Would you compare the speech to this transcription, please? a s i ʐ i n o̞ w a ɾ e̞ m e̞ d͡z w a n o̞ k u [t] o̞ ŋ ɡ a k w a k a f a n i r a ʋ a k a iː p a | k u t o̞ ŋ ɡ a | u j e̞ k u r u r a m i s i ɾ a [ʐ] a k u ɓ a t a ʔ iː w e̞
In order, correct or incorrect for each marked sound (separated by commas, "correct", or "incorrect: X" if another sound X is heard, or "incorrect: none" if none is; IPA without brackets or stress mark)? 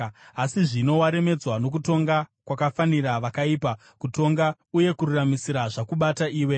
correct, correct